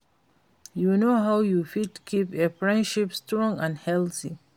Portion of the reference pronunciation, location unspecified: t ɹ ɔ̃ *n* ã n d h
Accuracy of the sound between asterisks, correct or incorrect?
incorrect